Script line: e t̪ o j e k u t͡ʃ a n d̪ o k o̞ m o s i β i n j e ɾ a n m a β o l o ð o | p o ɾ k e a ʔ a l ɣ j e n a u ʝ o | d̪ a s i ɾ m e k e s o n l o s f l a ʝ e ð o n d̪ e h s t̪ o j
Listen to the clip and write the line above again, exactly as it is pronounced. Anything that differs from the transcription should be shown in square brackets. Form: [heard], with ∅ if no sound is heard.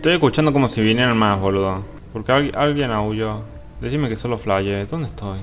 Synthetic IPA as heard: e t̪ o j e k u t͡ʃ a n d̪ o k o̞ m o s i β i n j e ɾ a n m a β o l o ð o | p o ɾ k e a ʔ a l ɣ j e n a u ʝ o | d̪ [e] s i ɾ m e k e s o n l o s f l a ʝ e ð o n d̪ e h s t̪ o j